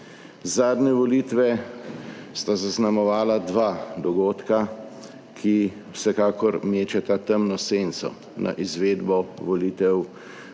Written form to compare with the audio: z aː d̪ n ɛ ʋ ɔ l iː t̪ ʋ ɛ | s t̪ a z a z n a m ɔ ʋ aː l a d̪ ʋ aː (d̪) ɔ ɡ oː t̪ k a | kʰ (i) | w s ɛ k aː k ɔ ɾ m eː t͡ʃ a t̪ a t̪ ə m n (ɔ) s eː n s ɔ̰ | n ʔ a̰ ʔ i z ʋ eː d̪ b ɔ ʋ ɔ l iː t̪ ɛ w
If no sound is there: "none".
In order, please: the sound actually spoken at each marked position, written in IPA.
d̪, i, ɔ

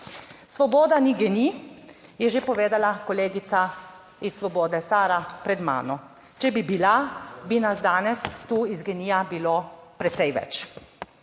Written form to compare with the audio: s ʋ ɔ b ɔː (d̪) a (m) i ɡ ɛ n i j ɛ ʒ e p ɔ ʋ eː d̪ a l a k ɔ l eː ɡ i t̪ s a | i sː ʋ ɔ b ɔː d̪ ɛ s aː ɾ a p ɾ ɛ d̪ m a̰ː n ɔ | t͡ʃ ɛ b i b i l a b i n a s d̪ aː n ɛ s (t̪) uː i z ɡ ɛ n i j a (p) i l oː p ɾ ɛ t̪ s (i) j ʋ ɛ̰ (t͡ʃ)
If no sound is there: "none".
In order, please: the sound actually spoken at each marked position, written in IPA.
d̪, n, t̪, b, ɛ, t͡ʃ

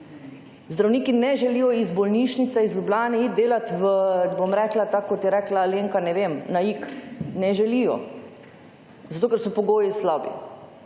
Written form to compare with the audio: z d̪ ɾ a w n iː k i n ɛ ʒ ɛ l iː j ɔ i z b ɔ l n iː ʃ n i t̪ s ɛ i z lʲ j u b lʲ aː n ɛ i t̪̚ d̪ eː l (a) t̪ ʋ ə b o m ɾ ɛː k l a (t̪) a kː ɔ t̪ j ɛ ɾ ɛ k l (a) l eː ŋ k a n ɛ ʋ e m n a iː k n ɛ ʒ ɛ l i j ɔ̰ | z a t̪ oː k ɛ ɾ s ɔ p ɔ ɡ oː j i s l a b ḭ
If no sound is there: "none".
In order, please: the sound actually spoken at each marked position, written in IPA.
a, t̪, a

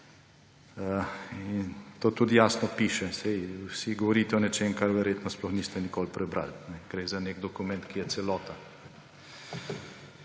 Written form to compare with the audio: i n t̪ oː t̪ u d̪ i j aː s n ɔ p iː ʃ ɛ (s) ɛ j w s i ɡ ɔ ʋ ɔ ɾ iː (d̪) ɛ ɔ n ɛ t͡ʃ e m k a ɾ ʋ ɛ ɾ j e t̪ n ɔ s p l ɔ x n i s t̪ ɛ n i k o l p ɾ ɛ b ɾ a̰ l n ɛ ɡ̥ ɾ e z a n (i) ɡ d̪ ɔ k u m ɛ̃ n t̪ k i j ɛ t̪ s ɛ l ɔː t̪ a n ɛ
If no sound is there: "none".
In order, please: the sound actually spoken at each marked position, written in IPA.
s, t̪, e

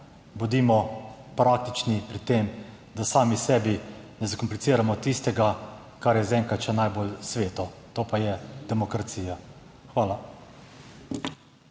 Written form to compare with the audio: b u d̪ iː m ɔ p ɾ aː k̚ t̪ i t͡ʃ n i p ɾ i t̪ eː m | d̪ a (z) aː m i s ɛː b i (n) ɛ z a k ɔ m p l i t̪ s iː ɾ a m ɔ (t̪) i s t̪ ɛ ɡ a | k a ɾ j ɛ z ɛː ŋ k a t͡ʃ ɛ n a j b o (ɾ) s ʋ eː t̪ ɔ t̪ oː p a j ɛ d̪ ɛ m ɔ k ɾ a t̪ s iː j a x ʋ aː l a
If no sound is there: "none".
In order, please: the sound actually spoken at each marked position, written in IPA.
s, n, t̪, l

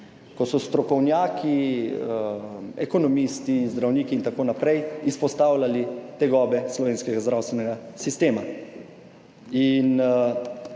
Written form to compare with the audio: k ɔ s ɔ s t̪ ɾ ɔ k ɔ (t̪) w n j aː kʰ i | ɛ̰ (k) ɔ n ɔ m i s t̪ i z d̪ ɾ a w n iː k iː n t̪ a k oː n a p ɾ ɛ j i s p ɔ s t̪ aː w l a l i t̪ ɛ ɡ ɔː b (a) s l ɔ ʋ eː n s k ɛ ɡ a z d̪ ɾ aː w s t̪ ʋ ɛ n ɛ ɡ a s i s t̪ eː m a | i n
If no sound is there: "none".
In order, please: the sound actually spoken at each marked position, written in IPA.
none, k, ɛ

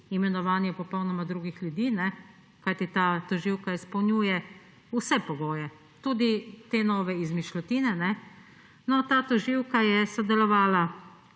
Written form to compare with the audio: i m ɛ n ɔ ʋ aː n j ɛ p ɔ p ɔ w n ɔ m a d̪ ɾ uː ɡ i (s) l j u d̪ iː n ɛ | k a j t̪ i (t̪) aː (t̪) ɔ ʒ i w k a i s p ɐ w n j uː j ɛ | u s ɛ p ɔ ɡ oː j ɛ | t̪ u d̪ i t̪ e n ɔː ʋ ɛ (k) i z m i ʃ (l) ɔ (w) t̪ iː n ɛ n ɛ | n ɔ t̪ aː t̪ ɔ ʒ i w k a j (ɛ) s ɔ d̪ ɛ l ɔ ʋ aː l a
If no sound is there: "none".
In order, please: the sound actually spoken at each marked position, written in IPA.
x, t̪, t̪, none, l, none, ɛ

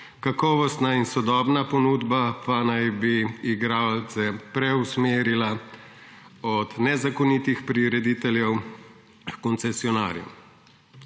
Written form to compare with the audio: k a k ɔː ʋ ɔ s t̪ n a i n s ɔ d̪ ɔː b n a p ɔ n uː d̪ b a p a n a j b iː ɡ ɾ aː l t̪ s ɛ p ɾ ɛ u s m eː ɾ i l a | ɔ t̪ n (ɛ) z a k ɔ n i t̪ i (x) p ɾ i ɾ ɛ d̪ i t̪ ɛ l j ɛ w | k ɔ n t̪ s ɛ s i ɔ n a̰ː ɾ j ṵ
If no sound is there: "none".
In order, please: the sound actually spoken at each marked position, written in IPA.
ɛ, x

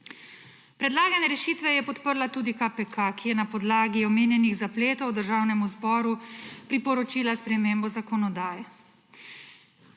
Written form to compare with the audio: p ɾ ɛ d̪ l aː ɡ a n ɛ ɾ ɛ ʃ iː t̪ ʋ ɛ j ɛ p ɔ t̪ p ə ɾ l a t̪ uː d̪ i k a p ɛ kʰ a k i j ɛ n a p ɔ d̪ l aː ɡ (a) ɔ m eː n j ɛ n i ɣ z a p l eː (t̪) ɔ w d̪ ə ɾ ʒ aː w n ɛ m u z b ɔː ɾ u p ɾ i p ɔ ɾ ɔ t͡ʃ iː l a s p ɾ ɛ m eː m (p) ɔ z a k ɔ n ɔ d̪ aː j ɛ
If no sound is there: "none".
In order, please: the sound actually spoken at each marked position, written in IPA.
i, t̪, b

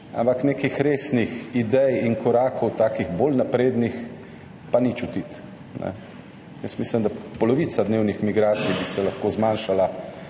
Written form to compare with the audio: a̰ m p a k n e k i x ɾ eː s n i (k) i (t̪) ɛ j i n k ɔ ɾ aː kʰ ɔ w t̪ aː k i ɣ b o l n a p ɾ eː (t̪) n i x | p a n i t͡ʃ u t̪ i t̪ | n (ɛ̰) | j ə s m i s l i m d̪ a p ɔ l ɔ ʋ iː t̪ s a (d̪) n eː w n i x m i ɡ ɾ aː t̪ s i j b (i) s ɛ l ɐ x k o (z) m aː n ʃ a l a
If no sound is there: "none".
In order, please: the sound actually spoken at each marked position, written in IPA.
x, d̪, d̪, ɛ̰, d̪, i, z

